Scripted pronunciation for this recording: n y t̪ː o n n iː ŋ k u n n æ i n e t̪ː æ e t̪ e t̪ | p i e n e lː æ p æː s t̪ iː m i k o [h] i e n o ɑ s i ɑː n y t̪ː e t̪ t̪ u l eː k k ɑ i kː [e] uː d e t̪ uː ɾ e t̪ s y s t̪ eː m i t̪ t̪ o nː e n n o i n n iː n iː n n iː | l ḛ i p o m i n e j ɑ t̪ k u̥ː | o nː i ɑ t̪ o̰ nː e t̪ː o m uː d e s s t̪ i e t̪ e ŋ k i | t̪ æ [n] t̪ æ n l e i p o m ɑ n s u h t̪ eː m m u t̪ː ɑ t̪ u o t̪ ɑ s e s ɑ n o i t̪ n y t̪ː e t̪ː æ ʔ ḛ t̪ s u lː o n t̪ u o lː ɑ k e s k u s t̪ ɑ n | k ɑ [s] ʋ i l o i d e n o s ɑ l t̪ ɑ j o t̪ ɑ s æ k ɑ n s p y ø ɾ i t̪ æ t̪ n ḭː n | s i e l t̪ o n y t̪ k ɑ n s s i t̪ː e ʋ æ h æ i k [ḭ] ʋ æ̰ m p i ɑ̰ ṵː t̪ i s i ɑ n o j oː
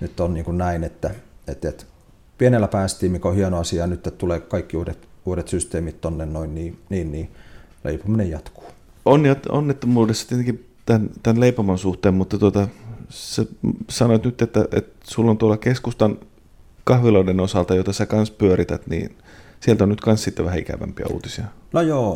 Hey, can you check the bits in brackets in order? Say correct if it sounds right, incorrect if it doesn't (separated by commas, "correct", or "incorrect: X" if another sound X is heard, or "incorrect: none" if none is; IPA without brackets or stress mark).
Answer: correct, incorrect: i, correct, incorrect: h, incorrect: æ̰